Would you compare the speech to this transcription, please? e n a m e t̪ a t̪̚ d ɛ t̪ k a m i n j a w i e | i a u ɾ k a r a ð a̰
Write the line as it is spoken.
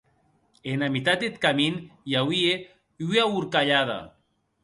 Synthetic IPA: e n a m i t̪ a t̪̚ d e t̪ k a m i n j a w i e | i a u ɾ k a ʎ a ð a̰